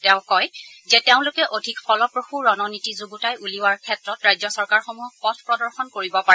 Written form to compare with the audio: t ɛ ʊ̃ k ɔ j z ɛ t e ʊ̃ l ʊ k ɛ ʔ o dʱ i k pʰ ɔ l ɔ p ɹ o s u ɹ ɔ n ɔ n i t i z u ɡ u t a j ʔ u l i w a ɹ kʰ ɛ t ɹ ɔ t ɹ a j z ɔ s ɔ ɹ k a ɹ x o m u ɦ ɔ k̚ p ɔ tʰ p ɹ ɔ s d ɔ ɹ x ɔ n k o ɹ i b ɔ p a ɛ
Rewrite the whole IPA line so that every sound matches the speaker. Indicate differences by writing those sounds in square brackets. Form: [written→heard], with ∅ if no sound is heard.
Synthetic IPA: t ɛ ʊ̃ k ɔ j z ɛ t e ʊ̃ l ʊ k ɛ ʔ o dʱ i k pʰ ɔ l ɔ p ɹ o [s→x] u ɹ ɔ n ɔ n i t i z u ɡ u t a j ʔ u l i w a ɹ kʰ ɛ t ɹ ɔ t ɹ a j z ɔ s ɔ ɹ k a ɹ x o m u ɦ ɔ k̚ p ɔ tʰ p ɹ ɔ [s→∅] d ɔ ɹ x ɔ n k o ɹ i b ɔ p a ɛ